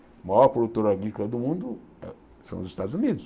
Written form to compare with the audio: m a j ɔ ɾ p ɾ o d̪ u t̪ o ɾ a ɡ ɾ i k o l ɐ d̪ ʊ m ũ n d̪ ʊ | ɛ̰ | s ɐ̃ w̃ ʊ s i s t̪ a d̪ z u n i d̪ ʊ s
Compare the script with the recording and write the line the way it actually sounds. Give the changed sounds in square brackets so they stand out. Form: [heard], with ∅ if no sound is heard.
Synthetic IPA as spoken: m a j ɔ ɾ p ɾ o d̪ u t̪ o ɾ a ɡ ɾ i k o l ɐ d̪ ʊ m ũ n d̪ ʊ | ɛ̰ | s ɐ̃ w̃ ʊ [z] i s t̪ a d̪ z u n i d̪ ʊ s